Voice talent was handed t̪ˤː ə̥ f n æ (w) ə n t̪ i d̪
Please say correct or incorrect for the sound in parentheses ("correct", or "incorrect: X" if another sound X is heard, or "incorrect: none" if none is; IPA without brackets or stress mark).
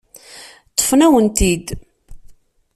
correct